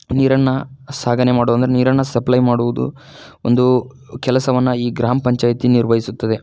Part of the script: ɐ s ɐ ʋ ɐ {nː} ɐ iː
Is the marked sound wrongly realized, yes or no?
no